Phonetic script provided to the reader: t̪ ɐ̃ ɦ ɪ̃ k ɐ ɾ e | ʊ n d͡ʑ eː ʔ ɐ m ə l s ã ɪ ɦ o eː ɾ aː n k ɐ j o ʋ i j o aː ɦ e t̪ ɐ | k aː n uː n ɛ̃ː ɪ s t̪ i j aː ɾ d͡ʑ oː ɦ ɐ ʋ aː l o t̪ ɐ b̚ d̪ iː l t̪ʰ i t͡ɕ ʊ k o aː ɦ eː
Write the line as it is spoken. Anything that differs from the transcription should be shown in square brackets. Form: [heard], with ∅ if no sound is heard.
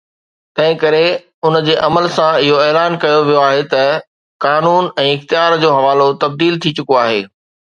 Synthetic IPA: t̪ ɐ̃ ɦ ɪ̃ k ɐ ɾ e | ʊ n d͡ʑ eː ʔ ɐ m ə l s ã ɪ ɦ o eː [l] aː n k ɐ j o ʋ i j o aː ɦ e t̪ ɐ | k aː n uː n ɛ̃ː ɪ [x] t̪ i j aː ɾ d͡ʑ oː ɦ ɐ ʋ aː l o t̪ ɐ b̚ d̪ iː l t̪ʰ i t͡ɕ ʊ k o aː ɦ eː